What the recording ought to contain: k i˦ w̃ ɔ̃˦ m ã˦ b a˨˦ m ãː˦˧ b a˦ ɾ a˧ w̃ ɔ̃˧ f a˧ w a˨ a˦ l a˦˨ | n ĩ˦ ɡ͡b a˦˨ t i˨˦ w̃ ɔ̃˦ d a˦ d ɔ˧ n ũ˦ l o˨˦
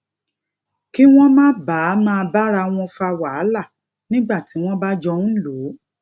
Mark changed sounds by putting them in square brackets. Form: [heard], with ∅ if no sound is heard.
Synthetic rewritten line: k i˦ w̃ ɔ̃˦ m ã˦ b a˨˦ m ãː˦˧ b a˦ ɾ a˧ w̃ ɔ̃˧ f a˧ w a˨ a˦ l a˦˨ | n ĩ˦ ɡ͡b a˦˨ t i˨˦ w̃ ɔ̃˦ [b] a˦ [d͡ʒ] ɔ˧ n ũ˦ l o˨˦